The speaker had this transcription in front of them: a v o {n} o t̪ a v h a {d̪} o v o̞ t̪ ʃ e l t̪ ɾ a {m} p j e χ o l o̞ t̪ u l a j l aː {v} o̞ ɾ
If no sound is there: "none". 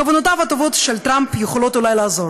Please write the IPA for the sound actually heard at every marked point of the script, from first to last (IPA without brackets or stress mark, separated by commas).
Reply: n, t̪, m, z